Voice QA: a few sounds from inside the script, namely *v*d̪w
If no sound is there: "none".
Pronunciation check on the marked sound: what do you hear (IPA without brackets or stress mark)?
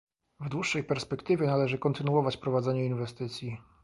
v